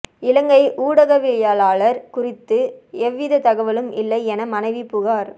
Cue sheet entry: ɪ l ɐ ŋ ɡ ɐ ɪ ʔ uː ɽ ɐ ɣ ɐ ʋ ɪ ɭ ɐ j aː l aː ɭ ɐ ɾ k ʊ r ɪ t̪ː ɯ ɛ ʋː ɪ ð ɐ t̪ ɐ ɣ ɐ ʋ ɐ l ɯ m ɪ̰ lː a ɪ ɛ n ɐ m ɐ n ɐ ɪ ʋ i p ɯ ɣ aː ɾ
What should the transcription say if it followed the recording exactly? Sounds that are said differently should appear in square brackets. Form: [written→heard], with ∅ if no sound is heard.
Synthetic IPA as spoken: ɪ l ɐ ŋ ɡ ɐ ɪ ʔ uː ɽ ɐ ɣ ɐ ʋ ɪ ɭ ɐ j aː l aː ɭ ɐ ɾ k ʊ r ɪ t̪ː ɯ ɛ ʋː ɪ ð ɐ t̪ ɐ ɣ ɐ ʋ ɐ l ɯ m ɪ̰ lː [a→ɐ] ɪ ɛ n ɐ m ɐ n ɐ ɪ ʋ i p [ɯ→ʊ] ɣ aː ɾ